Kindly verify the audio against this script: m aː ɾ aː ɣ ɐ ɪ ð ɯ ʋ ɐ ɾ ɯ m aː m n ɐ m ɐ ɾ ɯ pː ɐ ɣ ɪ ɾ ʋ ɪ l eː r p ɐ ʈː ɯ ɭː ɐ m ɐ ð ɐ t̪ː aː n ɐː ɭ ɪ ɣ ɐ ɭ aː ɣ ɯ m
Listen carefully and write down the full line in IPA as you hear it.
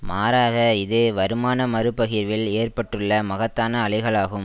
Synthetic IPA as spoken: m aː ɾ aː ɣ ɐ ɪ ð ɯ ʋ ɐ ɾ ɯ m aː n ɐ m ɐ ɾ ɯ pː ɐ ɣ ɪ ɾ ʋ ɪ l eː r p ɐ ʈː ɯ ɭː ɐ m ɐ ɣ ɐ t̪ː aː n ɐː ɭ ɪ ɣ ɐ ɭ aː ɣ ɯ m

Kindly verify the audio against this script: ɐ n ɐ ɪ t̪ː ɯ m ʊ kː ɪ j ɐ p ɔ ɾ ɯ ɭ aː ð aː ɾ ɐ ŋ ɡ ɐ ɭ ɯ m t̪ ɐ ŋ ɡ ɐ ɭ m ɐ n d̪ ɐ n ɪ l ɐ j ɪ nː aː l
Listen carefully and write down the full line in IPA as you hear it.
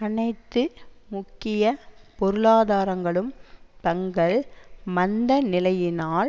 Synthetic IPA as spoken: ɐ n ɐ ɪ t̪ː ɯ m ʊ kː ɪ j ɐ p ɔ ɾ ɯ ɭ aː ð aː ɾ ɐ ŋ ɡ ɐ ɭ ɯ m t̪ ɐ ŋ ɡ ɐ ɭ m ɐ n d̪ ɐ n ɪ l ɐ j ɪ n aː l

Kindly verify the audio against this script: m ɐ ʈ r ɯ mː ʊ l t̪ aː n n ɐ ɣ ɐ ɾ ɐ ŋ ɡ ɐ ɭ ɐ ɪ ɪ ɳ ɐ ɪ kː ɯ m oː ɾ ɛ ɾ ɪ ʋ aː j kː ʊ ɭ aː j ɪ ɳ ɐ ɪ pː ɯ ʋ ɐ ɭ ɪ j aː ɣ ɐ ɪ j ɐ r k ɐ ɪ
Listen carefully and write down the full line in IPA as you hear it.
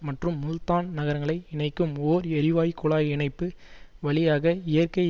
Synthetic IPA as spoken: m ɐ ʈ r ɯ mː ʊ l t̪ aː n n ɐ ɣ ɐ ɾ ɐ ŋ ɡ ɐ ɭ ɐ ɪ ɪ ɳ ɐ ɪ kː ɯ m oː ɾ ɛ ɾ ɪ ʋ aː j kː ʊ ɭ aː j ɪ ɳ ɐ ɪ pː ɯ ʋ ɐ ɭ ɪ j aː ɣ ɐ ɪ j ɐ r k ɐ ɪ

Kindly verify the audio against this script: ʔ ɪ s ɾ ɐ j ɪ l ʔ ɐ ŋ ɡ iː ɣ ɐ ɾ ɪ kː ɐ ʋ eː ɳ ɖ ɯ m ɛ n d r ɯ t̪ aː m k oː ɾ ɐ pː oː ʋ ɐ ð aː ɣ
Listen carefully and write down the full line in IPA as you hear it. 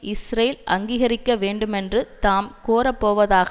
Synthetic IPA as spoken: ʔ ɪ s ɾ ɐ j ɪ l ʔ ɐ ŋ ɡ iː ɣ ɐ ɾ ɪ kː ɐ ʋ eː ɳ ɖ ɯ m ɛ n d r ɯ t̪ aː m k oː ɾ ɐ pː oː ʋ ɐ ð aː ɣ

